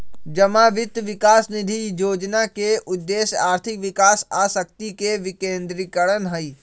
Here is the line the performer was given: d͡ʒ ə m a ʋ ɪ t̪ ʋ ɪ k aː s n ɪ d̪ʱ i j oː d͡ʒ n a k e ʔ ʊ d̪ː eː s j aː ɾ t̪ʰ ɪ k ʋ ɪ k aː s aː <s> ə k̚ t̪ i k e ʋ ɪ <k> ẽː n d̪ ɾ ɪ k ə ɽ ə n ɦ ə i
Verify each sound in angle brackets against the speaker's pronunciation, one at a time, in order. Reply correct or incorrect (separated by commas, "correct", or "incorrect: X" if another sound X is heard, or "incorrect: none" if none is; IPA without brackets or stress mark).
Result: correct, correct